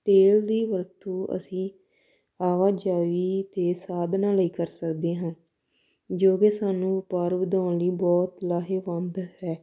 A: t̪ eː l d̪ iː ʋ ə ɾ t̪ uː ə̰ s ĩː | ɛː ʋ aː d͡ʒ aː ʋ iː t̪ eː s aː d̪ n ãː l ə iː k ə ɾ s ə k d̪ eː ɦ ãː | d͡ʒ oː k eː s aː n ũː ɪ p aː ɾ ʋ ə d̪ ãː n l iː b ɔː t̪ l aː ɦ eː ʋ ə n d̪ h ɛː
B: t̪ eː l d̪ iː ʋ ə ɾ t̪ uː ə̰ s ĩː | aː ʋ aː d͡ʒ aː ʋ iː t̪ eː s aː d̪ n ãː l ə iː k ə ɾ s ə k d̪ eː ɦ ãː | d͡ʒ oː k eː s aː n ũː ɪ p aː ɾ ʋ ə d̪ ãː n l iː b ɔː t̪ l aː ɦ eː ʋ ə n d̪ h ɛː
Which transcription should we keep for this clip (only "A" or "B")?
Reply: B